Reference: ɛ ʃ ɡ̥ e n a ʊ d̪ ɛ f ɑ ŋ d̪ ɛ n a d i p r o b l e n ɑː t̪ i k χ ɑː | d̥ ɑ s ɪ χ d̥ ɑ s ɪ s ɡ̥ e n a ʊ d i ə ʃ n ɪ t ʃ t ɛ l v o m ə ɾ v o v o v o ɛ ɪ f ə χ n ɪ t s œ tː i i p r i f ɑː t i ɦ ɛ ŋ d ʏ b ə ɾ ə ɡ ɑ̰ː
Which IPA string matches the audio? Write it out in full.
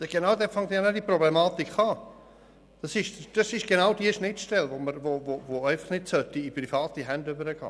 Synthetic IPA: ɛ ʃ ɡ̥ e n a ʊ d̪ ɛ f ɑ ŋ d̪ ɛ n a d i p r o b l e m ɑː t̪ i k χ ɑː | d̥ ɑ s ɪ ʃ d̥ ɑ s ɪ ʃ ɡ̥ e n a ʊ d i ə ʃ n ɪ t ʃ t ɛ l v o m ə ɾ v o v o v o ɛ ɪ f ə χ n ɪ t s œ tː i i p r i f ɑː t i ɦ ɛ n d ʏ b ə ɾ ə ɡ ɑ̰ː